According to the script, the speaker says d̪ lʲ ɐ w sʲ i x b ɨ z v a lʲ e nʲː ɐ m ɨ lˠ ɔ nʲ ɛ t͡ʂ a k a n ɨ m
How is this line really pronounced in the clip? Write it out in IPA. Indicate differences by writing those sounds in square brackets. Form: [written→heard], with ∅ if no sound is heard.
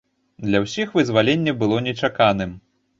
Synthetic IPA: d̪ lʲ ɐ w sʲ i x [b→v] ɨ z v a lʲ e nʲː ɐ [m→b] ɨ lˠ ɔ nʲ ɛ t͡ʂ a k a n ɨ m